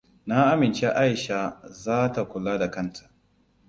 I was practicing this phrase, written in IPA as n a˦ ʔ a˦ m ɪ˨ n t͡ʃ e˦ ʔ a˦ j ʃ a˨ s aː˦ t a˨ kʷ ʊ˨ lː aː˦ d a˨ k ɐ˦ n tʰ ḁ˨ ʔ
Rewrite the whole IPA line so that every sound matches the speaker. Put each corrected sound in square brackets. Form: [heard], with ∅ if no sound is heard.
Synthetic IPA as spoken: n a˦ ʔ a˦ m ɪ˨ n t͡ʃ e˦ ʔ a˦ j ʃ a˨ [z] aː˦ t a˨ kʷ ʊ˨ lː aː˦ d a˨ k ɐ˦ n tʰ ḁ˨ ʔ